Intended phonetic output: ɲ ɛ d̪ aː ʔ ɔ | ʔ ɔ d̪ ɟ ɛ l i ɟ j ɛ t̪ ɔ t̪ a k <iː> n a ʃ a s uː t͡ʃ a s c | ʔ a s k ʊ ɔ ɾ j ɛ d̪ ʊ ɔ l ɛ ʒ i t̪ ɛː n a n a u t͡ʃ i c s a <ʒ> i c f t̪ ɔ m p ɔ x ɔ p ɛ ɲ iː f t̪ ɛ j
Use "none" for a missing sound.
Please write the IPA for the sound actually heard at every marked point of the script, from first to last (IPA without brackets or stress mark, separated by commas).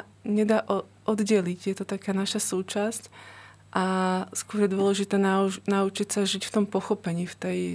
aː, ʒ